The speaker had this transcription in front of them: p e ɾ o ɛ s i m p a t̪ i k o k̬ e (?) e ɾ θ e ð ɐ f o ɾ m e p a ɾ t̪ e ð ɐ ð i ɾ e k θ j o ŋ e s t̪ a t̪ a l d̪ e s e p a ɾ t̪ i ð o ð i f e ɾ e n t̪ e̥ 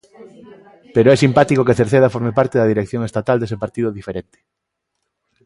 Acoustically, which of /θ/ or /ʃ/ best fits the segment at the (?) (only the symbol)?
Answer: θ